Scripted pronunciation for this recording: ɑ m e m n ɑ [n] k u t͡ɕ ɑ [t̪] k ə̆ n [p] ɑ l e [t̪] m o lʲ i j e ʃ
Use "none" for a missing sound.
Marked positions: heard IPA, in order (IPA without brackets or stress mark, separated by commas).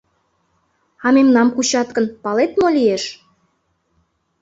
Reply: m, t̪, p, t̪